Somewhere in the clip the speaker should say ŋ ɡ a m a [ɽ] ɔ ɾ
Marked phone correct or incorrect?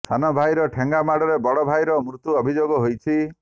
correct